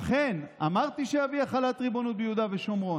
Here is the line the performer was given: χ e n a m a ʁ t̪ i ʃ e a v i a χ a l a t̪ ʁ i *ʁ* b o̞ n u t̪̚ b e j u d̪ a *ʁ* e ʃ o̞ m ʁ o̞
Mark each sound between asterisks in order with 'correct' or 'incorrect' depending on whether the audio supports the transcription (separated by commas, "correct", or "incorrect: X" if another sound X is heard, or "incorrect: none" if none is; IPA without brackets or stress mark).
incorrect: none, incorrect: v